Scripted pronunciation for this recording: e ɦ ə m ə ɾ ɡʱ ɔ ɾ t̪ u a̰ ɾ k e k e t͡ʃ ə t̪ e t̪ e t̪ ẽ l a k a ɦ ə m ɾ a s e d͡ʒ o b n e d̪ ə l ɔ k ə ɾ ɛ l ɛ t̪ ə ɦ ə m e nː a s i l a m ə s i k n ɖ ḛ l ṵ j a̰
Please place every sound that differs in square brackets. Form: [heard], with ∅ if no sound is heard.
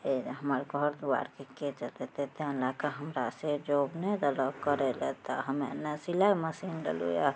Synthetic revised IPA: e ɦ ə m ə ɾ ɡʱ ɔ ɾ [d̪] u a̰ ɾ k e k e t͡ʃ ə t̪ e t̪ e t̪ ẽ l a k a ɦ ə m ɾ a s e d͡ʒ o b n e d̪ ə l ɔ k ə ɾ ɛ l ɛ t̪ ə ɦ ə m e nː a s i l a m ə s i [∅] n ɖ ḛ l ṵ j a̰